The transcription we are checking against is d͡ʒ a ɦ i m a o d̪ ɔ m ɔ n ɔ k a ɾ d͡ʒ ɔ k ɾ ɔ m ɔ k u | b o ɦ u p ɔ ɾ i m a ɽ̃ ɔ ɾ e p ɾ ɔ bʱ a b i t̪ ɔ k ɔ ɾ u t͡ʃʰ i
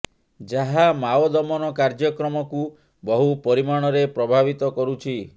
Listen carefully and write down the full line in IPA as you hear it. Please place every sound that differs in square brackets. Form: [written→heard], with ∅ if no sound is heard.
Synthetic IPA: d͡ʒ a ɦ [i→a] m a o d̪ ɔ m ɔ n ɔ k a ɾ d͡ʒ ɔ k ɾ ɔ m ɔ k u | b [o→ɔ] ɦ u p ɔ ɾ i m a ɽ̃ ɔ ɾ e p ɾ ɔ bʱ a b i t̪ ɔ k ɔ ɾ u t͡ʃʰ i